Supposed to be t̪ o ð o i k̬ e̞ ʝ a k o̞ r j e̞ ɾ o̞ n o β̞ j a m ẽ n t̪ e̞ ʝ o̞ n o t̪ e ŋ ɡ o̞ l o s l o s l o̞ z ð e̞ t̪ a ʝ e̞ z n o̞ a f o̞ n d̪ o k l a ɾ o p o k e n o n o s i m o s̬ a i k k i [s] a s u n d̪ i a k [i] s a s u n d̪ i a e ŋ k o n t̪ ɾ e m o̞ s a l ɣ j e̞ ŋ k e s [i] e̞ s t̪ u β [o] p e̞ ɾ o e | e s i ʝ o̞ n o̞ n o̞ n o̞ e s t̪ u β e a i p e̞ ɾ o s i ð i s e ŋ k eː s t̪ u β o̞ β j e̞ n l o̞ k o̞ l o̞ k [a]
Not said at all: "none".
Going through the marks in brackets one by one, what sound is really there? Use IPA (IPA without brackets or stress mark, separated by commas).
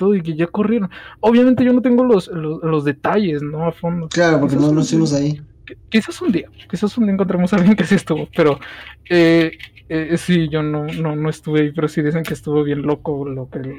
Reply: s, i, i, o, e